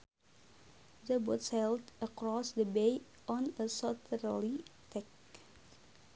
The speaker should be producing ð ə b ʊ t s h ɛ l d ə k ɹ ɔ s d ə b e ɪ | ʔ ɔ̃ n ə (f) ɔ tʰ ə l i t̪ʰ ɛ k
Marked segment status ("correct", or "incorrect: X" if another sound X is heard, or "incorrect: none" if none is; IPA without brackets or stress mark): incorrect: s